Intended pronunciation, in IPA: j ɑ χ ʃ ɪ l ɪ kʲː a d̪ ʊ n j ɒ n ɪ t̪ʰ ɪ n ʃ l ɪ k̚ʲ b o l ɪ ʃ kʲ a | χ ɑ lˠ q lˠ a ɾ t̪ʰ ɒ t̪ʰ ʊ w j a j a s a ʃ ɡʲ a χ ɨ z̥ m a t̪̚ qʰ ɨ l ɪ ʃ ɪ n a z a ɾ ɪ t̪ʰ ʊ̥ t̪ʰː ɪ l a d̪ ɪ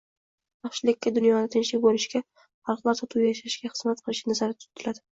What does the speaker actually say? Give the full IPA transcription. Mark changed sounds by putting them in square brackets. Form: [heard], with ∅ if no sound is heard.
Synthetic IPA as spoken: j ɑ χ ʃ ɪ l ɪ kʲː a d̪ ʊ n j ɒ n ɪ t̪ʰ ɪ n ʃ l ɪ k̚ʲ b o l ɪ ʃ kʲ a | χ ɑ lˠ q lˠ a ɾ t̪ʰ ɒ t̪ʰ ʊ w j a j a [ʃ] a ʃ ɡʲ a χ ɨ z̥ m a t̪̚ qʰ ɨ l ɪ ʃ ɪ n a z a ɾ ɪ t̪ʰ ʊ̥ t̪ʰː ɪ l a d̪ ɪ

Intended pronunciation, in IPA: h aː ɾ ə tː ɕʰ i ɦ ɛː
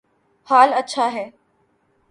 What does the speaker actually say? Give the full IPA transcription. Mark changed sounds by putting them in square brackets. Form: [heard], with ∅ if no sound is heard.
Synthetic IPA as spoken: h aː [l] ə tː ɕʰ [a] ɦ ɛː

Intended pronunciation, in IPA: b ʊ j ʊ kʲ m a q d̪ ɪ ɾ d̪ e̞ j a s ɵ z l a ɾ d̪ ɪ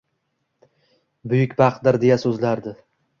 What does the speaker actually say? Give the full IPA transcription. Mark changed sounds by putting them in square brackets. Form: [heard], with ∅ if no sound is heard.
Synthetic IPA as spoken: b ʊ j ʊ kʲ [b] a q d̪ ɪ ɾ d̪ e̞ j a s ɵ z l a ɾ d̪ ɪ

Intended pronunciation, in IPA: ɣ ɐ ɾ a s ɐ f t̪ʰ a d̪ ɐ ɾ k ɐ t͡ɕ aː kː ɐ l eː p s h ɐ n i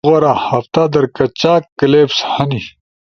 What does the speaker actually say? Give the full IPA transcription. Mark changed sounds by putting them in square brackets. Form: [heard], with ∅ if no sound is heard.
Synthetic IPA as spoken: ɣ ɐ ɾ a [h] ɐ f [t̪] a d̪ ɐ ɾ k ɐ t͡ɕ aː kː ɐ l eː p s h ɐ n i

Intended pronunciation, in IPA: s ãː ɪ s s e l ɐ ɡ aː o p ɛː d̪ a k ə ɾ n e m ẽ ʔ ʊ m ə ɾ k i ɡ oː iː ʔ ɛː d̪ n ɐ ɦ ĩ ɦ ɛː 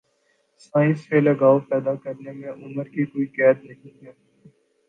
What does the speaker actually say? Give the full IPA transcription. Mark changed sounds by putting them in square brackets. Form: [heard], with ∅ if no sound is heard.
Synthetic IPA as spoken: s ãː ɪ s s e l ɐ ɡ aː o p ɛː d̪ a k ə ɾ n e m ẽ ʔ ʊ m ə ɾ k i [k] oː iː [k] ɛː d̪ n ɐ ɦ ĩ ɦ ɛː

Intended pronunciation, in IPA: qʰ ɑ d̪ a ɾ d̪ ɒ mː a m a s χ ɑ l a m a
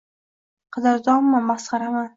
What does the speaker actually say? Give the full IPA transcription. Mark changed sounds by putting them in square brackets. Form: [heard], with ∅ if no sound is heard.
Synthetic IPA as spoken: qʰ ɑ d̪ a ɾ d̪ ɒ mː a m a s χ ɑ [ɾ] a m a

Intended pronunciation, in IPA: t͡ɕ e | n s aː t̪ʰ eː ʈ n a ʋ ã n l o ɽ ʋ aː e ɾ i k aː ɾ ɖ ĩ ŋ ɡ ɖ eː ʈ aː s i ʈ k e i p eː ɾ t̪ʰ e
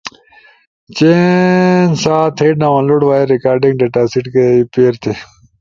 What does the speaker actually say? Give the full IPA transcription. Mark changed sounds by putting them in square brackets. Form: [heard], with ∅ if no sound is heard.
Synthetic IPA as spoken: t͡ɕ e | n s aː t̪ʰ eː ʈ n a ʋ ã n l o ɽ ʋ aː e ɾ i k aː ɾ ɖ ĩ ŋ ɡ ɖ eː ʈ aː s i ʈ k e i p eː ɾ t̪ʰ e

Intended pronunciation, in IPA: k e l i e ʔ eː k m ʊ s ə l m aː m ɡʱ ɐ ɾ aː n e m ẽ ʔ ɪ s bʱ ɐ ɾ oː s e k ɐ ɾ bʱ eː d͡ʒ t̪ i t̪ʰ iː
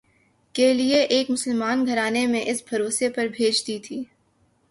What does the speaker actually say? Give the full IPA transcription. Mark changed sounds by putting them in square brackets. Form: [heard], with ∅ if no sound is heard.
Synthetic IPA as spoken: k e l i e ʔ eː k m ʊ s ə l m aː [n] ɡʱ ɐ ɾ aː n e m ẽ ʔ ɪ s bʱ ɐ ɾ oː s e [p] ɐ ɾ bʱ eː d͡ʒ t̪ i t̪ʰ iː

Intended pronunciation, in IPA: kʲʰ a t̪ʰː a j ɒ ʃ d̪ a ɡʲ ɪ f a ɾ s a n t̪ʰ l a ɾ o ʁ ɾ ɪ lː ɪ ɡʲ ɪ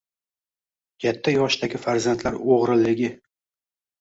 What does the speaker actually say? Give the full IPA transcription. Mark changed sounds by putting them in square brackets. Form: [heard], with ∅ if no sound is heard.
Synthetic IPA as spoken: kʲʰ a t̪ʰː a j ɒ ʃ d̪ a ɡʲ ɪ f a ɾ [z] a n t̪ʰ l a ɾ o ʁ ɾ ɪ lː ɪ ɡʲ ɪ

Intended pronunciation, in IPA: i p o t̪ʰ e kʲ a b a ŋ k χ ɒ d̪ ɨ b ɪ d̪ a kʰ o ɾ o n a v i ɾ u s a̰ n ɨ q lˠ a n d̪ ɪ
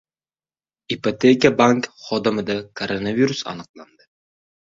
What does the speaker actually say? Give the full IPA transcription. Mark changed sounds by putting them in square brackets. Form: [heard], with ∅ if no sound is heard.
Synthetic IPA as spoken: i p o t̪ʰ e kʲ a b a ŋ k χ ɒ d̪ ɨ [m] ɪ d̪ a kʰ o ɾ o n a v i ɾ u s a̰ n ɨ q lˠ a n d̪ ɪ

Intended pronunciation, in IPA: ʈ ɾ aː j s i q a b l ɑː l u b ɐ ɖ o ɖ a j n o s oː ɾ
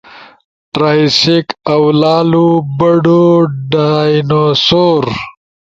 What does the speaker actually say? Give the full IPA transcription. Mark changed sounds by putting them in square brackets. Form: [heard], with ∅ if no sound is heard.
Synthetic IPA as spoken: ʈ ɾ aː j s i [k] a [w] l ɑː l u b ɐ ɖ o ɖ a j n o s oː ɾ

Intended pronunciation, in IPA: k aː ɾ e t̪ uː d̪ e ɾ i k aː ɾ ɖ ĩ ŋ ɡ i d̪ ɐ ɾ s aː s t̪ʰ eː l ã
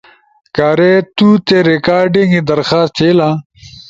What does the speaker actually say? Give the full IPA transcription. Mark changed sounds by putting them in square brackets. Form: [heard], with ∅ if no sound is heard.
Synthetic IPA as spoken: k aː ɾ e t̪ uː [t̪] e ɾ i k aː ɾ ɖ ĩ ŋ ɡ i d̪ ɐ ɾ [x] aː s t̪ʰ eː l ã

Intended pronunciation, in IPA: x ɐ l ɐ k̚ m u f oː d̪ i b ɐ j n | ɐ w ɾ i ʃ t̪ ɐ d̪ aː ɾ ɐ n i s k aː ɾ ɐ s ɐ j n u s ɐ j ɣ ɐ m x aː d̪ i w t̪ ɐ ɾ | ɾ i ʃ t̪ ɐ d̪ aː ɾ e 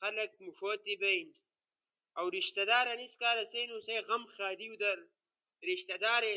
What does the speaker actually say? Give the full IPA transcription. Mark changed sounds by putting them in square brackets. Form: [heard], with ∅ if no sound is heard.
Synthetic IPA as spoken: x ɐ l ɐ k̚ m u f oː [t̪] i b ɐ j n | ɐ w ɾ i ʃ t̪ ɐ d̪ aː ɾ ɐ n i s k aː ɾ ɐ s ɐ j n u s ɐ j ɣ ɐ m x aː d̪ i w [d̪] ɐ ɾ | ɾ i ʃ t̪ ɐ d̪ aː ɾ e

